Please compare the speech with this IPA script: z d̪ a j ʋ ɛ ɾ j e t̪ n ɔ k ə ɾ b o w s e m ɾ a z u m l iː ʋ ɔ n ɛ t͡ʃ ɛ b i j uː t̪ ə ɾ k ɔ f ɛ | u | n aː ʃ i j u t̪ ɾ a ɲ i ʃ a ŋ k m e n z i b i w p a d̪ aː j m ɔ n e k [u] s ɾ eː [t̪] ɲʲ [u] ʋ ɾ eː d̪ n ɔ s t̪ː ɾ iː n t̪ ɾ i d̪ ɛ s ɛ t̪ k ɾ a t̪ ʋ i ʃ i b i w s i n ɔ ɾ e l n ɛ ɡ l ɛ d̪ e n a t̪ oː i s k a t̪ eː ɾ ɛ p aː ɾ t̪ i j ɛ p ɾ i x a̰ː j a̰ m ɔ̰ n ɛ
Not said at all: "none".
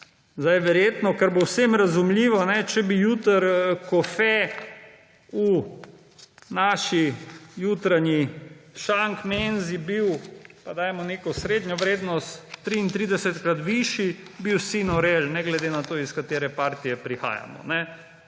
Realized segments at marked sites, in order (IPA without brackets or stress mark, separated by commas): ɔ, d̪, ɔ